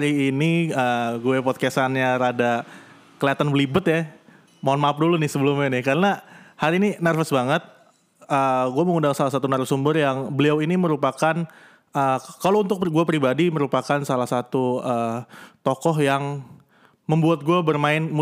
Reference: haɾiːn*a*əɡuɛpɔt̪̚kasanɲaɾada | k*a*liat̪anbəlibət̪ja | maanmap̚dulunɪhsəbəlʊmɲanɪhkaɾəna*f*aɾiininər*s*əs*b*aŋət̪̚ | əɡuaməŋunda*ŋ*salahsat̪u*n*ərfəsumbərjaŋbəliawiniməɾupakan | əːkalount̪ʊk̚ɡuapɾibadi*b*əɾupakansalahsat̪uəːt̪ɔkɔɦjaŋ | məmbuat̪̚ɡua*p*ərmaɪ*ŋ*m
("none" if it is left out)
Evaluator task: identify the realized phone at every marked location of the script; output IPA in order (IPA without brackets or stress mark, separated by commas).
i, ə, h, f, b, ŋ, n, m, b, n